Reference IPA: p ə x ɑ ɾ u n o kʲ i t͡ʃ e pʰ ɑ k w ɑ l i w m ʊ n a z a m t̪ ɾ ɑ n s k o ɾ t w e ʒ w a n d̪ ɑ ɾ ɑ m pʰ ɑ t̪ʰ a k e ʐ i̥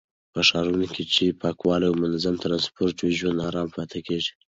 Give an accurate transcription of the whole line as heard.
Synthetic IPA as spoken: p ə ʂ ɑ ɾ u n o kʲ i t͡ʃ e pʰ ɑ k w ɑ l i w m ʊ n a z a m t̪ ɾ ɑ n s p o ɾ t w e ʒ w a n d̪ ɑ ɾ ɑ m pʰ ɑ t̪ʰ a k e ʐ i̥